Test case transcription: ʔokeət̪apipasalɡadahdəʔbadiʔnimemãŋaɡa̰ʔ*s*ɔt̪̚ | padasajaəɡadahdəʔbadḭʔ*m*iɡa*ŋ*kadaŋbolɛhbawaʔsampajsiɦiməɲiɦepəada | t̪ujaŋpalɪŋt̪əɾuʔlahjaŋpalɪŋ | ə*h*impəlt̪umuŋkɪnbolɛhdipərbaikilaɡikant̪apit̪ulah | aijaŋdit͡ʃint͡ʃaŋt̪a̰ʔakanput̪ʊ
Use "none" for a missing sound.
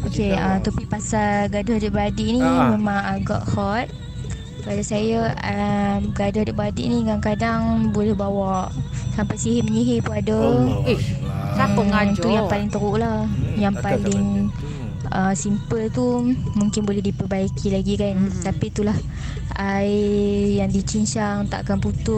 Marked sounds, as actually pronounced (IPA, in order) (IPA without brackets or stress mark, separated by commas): h, n, ŋ, s